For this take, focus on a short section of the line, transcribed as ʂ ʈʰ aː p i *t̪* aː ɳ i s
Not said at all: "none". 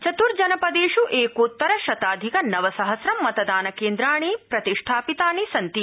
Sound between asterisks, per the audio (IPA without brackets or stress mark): t̪